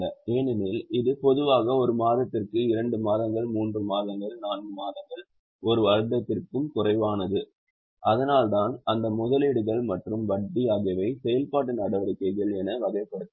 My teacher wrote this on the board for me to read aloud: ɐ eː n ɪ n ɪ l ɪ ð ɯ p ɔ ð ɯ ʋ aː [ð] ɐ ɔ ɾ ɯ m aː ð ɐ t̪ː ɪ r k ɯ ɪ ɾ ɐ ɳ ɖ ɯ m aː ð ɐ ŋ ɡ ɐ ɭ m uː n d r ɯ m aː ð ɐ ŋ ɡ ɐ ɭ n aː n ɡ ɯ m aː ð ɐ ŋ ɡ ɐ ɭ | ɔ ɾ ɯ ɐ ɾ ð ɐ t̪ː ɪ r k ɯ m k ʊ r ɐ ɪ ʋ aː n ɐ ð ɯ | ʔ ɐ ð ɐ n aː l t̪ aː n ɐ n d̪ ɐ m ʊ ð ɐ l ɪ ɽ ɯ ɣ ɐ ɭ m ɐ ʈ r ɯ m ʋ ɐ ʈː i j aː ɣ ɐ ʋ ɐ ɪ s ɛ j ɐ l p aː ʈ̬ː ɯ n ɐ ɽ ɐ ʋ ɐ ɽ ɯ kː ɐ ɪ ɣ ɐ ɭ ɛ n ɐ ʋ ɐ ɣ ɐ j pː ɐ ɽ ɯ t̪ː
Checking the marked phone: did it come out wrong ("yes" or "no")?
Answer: yes